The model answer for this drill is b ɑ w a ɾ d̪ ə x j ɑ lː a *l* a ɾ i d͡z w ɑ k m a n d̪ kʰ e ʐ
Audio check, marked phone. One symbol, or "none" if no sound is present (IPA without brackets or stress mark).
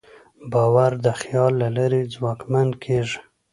l